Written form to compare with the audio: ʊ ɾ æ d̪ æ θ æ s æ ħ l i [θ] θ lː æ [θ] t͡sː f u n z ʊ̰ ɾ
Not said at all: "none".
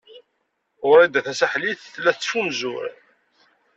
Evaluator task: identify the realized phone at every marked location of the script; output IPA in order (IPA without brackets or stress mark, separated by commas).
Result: θ, θ